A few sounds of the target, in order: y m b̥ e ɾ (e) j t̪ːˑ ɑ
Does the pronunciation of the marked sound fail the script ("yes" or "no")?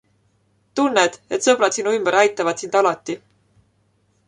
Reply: yes